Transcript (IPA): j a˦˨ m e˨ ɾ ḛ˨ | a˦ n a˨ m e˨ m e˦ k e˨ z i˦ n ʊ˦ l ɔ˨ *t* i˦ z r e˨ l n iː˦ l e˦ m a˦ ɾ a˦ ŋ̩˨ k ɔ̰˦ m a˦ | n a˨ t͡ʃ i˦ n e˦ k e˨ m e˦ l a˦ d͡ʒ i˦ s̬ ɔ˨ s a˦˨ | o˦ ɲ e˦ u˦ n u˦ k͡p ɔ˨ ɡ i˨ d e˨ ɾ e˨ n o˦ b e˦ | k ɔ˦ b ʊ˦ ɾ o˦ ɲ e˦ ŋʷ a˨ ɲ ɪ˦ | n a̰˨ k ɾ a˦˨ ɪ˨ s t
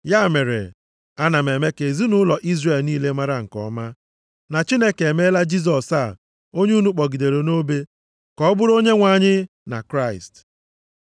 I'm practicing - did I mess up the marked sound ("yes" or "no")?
yes